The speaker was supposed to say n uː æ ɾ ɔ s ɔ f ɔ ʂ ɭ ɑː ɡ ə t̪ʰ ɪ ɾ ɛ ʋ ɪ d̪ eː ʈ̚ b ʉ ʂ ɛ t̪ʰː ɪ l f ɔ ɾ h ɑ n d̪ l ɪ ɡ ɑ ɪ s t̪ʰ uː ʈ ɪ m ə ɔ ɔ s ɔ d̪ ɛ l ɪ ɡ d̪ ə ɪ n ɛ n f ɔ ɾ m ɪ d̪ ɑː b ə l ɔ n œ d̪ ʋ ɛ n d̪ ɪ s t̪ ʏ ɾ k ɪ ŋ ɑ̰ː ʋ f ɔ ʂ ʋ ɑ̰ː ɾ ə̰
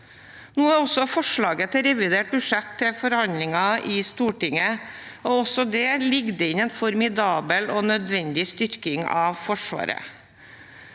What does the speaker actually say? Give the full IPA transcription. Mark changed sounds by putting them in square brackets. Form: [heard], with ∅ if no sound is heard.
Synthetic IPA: n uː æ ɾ ɔ s ɔ f ɔ ʂ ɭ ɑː ɡ ə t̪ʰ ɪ ɾ ɛ ʋ ɪ d̪ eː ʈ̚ b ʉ ʂ ɛ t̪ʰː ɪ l f ɔ ɾ h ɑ n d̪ l ɪ [ŋ] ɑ ɪ s [t̪] uː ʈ ɪ [ŋ] ə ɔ ɔ s ɔ d̪ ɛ l ɪ ɡ d̪ ə ɪ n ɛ n f ɔ ɾ m ɪ d̪ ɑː b ə l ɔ n œ d̪ ʋ ɛ n d̪ ɪ s t̪ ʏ ɾ k ɪ ŋ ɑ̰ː ʋ f ɔ ʂ ʋ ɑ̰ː ɾ ə̰